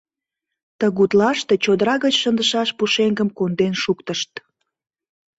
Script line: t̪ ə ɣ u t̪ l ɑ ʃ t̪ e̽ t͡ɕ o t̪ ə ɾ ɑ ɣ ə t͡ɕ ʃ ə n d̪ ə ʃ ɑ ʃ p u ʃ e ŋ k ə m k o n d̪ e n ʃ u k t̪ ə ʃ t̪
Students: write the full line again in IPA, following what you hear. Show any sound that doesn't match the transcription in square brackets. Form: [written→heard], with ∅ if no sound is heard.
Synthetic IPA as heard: t̪ ə ɣ u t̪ l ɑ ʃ t̪ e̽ t͡ɕ o [t̪→d̪] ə ɾ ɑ ɣ ə t͡ɕ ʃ ə n d̪ ə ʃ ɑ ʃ p u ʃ e ŋ [k→ɡ] ə m k o n d̪ e n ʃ u k t̪ ə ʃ t̪